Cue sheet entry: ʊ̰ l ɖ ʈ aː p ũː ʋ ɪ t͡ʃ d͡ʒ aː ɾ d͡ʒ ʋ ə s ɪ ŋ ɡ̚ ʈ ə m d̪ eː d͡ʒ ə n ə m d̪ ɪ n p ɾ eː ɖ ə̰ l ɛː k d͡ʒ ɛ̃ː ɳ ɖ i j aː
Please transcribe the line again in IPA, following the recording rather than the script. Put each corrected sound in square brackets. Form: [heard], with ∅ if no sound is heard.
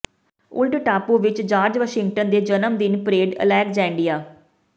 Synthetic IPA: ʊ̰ l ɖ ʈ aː p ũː ʋ ɪ t͡ʃ d͡ʒ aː ɾ d͡ʒ ʋ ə [ʃ] ɪ ŋ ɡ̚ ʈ ə [n] d̪ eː d͡ʒ ə n ə m d̪ ɪ n p ɾ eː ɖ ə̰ l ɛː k d͡ʒ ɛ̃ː ɳ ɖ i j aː